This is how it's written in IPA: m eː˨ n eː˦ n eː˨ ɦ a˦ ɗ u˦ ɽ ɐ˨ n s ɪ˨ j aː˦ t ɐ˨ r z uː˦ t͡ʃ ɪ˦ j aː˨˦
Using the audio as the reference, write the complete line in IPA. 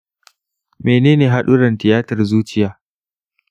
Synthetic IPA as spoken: m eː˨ n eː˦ n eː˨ ɦ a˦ ɗ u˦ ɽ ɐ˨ n t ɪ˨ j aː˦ t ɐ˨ r z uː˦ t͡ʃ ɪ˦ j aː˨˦